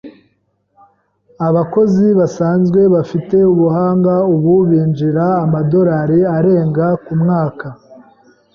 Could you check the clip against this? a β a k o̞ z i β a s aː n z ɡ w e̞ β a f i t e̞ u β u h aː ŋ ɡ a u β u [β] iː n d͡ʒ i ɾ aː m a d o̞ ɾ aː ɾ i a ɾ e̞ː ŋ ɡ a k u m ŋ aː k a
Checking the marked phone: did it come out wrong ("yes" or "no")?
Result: no